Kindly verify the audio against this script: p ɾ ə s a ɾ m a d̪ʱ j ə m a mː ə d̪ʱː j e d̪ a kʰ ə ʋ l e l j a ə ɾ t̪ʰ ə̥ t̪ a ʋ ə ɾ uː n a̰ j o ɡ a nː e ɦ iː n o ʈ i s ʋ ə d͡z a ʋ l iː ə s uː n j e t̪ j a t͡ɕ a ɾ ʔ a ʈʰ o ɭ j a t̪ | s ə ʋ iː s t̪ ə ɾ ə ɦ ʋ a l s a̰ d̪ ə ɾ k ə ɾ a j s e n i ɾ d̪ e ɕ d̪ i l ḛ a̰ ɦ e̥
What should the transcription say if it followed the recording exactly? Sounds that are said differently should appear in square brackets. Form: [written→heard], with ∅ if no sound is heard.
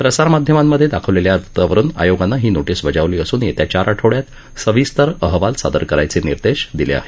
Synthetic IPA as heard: p ɾ ə s a ɾ m a d̪ʱ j ə m a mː ə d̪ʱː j e d̪ a kʰ ə ʋ l e l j a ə ɾ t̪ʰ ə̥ t̪ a ʋ ə ɾ uː n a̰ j o ɡ a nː [e→a] ɦ iː n o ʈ i s ʋ ə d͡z a ʋ l iː ə s uː n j e t̪ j a t͡ɕ a ɾ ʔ a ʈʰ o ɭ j a t̪ | s ə ʋ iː s t̪ ə ɾ ə ɦ ʋ a l s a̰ d̪ ə ɾ k ə ɾ a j [s→t͡s] e n i ɾ d̪ e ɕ d̪ i l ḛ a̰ ɦ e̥

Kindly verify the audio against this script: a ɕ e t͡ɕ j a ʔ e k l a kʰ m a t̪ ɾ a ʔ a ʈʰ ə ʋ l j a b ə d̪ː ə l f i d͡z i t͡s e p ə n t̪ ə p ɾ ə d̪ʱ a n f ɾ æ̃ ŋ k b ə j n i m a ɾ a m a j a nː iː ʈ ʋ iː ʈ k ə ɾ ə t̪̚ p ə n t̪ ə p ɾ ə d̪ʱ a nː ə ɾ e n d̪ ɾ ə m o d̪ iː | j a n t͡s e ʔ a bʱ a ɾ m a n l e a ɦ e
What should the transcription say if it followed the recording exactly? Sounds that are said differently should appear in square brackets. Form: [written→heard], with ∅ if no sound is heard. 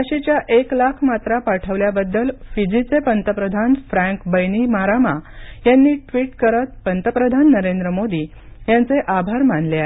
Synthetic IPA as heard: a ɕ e t͡ɕ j a ʔ e k l a kʰ m a t̪ ɾ a [ʔ→p] a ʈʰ ə ʋ l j a b ə d̪ː ə l f i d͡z i t͡s e p ə n t̪ ə p ɾ ə d̪ʱ a n f ɾ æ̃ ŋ k b ə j n i m a ɾ a m a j a nː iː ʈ ʋ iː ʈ k ə ɾ ə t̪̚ p ə n t̪ ə p ɾ ə d̪ʱ a nː ə ɾ e n d̪ ɾ ə m o d̪ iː | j a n t͡s e ʔ a bʱ a ɾ m a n l e a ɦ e

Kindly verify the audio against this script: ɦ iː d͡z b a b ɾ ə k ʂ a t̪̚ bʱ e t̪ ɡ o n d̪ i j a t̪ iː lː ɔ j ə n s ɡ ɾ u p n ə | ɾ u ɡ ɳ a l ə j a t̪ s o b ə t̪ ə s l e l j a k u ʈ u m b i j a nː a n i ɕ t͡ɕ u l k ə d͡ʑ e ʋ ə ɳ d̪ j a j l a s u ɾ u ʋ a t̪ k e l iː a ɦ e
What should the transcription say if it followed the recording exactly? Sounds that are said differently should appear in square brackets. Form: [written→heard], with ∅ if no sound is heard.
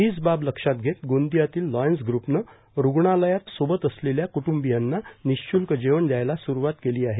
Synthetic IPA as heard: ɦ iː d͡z b a b [ɾ→l] ə k ʂ a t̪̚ [bʱ→ɡʱ] e t̪ ɡ o n d̪ i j a t̪ iː lː ɔ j ə n s ɡ ɾ u p n ə | ɾ u ɡ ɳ a l ə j a t̪ s o b ə t̪ ə s l e l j a k u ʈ u m b i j a nː a n i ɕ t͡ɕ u l k ə d͡ʑ e ʋ ə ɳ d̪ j a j l a s u ɾ u ʋ a t̪ k e l iː a ɦ e

